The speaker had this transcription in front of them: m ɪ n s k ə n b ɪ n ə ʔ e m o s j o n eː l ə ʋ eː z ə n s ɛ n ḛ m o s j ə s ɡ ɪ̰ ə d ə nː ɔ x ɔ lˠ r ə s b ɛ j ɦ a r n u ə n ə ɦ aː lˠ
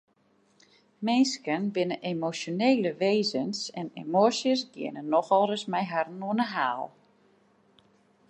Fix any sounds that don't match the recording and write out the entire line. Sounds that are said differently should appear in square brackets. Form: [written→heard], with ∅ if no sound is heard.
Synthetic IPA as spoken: m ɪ n s k ə n b ɪ n ə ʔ e m o s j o n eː l ə ʋ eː z ə n s ɛ n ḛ m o s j ə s ɡ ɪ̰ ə [d→n] ə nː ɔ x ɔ lˠ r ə s [b→m] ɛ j ɦ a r n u ə n ə ɦ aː lˠ